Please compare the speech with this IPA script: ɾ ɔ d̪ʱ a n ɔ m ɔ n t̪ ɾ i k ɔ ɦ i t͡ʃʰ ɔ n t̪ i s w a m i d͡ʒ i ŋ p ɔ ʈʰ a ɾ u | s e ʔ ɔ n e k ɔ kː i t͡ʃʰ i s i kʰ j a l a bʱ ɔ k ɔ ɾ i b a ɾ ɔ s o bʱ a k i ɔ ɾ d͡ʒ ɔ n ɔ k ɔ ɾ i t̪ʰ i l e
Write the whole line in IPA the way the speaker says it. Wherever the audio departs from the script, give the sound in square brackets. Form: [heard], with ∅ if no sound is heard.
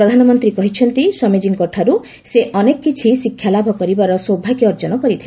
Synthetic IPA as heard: ɾ ɔ d̪ʱ a n ɔ m ɔ n t̪ ɾ i k ɔ ɦ i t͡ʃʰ ɔ n t̪ i s w a m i d͡ʒ i ŋ [k] ɔ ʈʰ a ɾ u | s e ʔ ɔ n e k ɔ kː i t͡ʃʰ i s i kʰ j a l a bʱ ɔ k ɔ ɾ i b a ɾ ɔ s o bʱ a k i ɔ ɾ d͡ʒ ɔ n ɔ k ɔ ɾ i t̪ʰ i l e